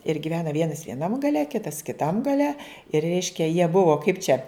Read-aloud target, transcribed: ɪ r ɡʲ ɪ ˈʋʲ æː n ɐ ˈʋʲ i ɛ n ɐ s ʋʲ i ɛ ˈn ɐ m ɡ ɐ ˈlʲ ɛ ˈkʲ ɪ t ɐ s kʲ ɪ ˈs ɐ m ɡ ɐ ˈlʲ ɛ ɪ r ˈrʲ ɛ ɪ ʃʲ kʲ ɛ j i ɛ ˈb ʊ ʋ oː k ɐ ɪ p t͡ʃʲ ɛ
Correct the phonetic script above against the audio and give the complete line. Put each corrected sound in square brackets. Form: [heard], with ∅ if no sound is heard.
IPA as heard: ɪ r ɡʲ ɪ ˈʋʲ æː n ɐ ˈʋʲ i ɛ n ɐ s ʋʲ i ɛ ˈn ɐ m ɡ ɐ ˈlʲ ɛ ˈkʲ ɪ t ɐ s kʲ ɪ [ˈt] ɐ m ɡ ɐ ˈlʲ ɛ ɪ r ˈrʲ ɛ ɪ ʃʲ kʲ ɛ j i ɛ ˈb ʊ ʋ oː k ɐ ɪ p t͡ʃʲ ɛ